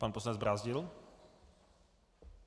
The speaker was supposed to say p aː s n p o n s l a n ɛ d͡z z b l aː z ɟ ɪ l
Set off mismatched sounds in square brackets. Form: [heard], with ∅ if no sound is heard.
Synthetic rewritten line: p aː [∅] n p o [∅] s l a n ɛ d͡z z b [ɾ] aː z ɟ ɪ l

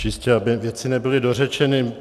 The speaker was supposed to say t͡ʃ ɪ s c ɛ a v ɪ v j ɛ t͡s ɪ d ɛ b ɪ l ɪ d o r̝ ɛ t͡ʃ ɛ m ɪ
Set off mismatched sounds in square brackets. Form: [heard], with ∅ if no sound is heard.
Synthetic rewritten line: t͡ʃ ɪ s c ɛ a [b] ɪ v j ɛ t͡s ɪ [n] ɛ b ɪ l ɪ d o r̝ ɛ t͡ʃ ɛ [n] ɪ

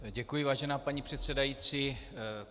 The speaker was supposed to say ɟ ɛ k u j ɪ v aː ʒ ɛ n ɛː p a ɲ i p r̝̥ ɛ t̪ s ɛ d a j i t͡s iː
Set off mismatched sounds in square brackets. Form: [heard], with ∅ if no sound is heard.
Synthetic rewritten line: ɟ ɛ k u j ɪ v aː ʒ ɛ n [aː] p a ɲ i p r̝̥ ɛ t̪ s ɛ d a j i t͡s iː

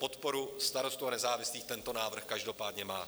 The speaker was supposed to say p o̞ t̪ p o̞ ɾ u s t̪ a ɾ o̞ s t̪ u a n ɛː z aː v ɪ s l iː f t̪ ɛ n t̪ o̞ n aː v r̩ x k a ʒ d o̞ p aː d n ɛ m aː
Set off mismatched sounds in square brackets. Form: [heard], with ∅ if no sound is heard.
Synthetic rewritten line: p o̞ t̪ p o̞ ɾ u s t̪ a ɾ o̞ s t̪ u a n [ɛ] z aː v ɪ s l iː [x] t̪ ɛ n t̪ o̞ n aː v r̩ x k a ʒ d o̞ p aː d [ɲ] ɛ m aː

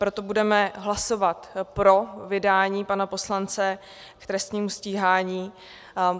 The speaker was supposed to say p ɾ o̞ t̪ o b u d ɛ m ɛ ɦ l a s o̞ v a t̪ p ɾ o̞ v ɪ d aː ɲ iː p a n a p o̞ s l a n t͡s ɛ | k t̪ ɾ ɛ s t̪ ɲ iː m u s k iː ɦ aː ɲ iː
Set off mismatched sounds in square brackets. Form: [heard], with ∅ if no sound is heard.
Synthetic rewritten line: p ɾ o̞ t̪ o b u d ɛ m ɛ ɦ l a s o̞ v a t̪ p ɾ o̞ v ɪ d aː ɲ iː p a n a p o̞ s l a n t͡s ɛ | k t̪ ɾ ɛ s t̪ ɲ iː m u s [c] iː ɦ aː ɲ iː

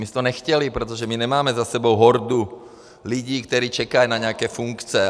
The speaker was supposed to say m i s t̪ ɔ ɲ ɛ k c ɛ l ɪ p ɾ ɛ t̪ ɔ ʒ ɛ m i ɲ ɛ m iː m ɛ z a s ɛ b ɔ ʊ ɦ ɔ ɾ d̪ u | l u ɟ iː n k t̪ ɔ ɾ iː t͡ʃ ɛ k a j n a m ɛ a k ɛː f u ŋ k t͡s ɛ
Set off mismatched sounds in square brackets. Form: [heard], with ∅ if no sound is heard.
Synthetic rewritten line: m i s t̪ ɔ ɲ ɛ [x] c ɛ l [i] p ɾ ɛ t̪ ɔ ʒ ɛ m i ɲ ɛ m [aː] m ɛ z a s ɛ b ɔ ʊ ɦ ɔ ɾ d̪ u | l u ɟ iː [∅] k t̪ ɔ ɾ iː t͡ʃ ɛ k a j n a [ɲ] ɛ a k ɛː f u ŋ k t͡s ɛ

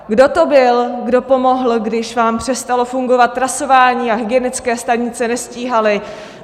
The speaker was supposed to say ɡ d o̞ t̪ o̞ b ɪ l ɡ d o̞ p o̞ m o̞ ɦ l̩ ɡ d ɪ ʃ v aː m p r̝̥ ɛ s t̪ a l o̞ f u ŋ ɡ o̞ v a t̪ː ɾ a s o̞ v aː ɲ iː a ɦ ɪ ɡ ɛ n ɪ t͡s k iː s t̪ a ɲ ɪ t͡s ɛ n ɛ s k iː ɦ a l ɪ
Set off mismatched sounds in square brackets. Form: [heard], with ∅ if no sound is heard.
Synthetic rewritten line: ɡ d o̞ t̪ o̞ b ɪ l ɡ d o̞ p o̞ m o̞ ɦ l̩ ɡ d ɪ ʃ v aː m p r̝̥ ɛ s t̪ a l o̞ f u ŋ ɡ o̞ v a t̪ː ɾ a s o̞ v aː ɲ iː a ɦ ɪ ɡ ɛ n ɪ t͡s k [ɛː] s t̪ a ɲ ɪ t͡s ɛ n ɛ s [c] iː ɦ a l ɪ

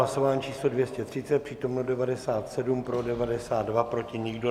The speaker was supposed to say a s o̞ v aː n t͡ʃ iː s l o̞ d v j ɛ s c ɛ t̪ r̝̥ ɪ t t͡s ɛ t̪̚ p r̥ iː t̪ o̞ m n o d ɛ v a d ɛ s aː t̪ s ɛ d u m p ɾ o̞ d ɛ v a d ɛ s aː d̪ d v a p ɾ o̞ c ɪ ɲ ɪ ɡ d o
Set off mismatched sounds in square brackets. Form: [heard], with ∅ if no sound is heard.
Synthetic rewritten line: a s o̞ v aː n t͡ʃ iː s l o̞ d v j ɛ s c ɛ t̪ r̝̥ ɪ t t͡s ɛ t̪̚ p r̥ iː t̪ o̞ m n o d ɛ v a d ɛ s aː t̪ s ɛ d u m p ɾ o̞ d ɛ v a d ɛ s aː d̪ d v a p ɾ o̞ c ɪ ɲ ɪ ɡ d o

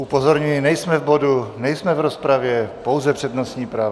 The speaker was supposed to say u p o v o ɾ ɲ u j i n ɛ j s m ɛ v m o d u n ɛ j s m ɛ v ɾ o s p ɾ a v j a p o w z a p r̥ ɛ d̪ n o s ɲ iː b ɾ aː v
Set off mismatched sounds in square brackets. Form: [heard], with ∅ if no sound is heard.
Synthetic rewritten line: u p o [z] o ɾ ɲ u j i n ɛ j s m ɛ v [b] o d u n ɛ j s m ɛ v ɾ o s p ɾ a v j [ɛ] p o w z [ɛ] p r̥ ɛ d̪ n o s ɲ iː [p] ɾ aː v

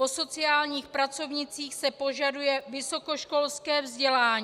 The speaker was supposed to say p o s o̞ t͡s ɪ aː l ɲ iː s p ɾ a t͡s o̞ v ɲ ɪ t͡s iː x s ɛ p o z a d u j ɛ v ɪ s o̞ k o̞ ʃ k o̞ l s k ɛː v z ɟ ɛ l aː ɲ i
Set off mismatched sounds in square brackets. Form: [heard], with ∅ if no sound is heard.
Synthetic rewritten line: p o s o̞ t͡s ɪ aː l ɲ iː [x] p ɾ a t͡s o̞ v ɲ ɪ t͡s iː x s ɛ p o [ʒ] a d u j ɛ v ɪ s o̞ k o̞ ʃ k o̞ l s k ɛː v z ɟ ɛ l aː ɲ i

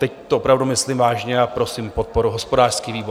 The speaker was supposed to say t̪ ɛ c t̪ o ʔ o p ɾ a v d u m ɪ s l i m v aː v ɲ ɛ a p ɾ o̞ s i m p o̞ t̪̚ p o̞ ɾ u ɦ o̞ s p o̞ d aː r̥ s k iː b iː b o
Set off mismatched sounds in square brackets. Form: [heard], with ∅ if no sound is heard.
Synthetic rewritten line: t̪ ɛ c t̪ o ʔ o p ɾ a v d u m ɪ s l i m v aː [ʒ] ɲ ɛ a p ɾ o̞ s i m p o̞ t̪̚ p o̞ ɾ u ɦ o̞ s p o̞ d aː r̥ s k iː [v] iː b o

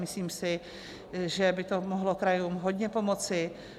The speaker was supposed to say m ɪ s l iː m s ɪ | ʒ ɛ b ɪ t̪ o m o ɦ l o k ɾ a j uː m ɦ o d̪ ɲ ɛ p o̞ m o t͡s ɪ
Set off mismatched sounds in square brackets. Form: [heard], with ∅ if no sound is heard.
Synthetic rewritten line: m ɪ s l iː m s ɪ | ʒ ɛ b ɪ t̪ o m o ɦ l o k ɾ a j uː m ɦ o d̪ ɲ ɛ p o̞ m o t͡s ɪ

